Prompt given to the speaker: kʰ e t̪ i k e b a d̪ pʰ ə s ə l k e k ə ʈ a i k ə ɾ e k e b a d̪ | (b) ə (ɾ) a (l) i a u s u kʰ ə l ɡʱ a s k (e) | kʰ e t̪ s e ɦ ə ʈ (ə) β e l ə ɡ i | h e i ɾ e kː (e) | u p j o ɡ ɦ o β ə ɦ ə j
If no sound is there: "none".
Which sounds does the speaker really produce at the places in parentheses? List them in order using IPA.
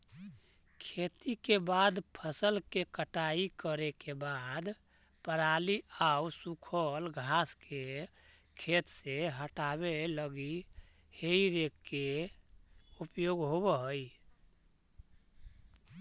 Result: p, ɾ, l, e, a, e

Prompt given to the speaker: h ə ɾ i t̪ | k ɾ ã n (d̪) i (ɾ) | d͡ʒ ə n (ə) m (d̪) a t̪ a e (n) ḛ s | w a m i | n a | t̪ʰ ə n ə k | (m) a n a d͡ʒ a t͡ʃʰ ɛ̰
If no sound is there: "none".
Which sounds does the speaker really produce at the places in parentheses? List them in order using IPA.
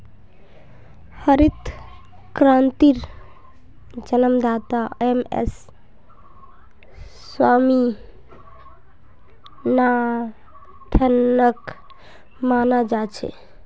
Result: t̪, ɾ, ə, d̪, m, m

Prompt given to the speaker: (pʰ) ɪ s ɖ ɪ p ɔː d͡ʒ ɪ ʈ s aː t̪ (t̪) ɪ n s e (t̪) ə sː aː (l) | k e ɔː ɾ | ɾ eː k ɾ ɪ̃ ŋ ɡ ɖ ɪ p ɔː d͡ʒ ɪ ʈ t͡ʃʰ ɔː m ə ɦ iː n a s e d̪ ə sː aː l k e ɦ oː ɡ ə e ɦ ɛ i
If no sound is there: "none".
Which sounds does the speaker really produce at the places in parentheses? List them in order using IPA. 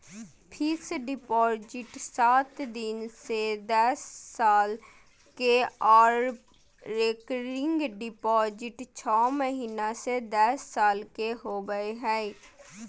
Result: pʰ, d̪, d̪, l

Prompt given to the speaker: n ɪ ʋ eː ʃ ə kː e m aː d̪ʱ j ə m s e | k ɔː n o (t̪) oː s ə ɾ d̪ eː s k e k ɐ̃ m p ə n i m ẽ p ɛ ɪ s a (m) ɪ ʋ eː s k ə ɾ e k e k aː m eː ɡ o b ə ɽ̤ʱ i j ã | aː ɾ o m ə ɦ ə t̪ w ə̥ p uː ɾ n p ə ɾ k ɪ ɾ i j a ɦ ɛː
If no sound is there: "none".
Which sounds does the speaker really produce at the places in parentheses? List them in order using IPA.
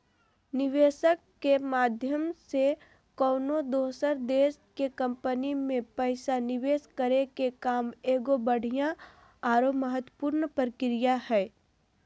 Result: d̪, n

